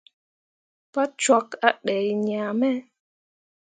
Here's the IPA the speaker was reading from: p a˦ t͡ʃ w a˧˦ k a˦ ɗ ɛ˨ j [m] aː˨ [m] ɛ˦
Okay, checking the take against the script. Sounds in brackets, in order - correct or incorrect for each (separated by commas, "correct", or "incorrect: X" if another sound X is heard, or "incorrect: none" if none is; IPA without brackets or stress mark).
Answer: incorrect: ɲ, correct